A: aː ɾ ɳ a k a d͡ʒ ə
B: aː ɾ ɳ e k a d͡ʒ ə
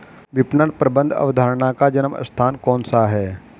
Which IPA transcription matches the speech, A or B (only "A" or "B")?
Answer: A